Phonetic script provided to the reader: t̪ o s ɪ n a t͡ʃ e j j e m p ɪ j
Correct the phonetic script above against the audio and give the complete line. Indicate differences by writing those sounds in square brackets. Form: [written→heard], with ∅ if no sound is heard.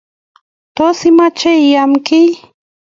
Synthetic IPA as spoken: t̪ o s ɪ [n→m] a t͡ʃ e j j [e→a] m [p→k] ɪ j